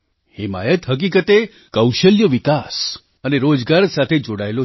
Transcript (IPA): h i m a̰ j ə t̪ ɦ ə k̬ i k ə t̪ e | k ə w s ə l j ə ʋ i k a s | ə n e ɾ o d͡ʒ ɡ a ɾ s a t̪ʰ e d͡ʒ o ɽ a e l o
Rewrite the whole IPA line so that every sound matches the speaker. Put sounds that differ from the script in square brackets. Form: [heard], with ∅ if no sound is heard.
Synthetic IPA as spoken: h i m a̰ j ə t̪ ɦ ə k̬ i k ə t̪ e | k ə w [ʃ] ə l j ə ʋ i k a s | ə n e ɾ o d͡ʒ ɡ a ɾ s a t̪ʰ e d͡ʒ o ɽ a e l o